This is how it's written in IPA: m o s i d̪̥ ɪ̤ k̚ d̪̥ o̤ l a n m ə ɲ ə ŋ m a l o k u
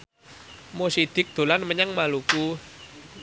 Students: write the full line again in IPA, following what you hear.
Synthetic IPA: m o s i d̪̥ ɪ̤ k̚ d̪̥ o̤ l a n m ə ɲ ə ŋ m a l u k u